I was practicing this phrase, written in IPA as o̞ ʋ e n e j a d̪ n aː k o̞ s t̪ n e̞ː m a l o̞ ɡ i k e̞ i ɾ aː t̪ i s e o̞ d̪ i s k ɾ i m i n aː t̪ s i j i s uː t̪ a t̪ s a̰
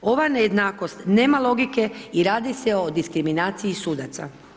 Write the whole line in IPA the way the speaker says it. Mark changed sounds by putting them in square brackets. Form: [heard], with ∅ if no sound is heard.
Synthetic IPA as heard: o̞ ʋ [a] n e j [e] d̪ n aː k o̞ s t̪ n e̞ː m a l o̞ ɡ i k e̞ i ɾ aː [d̪] i s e o̞ d̪ i s k ɾ i m i n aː t̪ s i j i s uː [d̪] a t̪ s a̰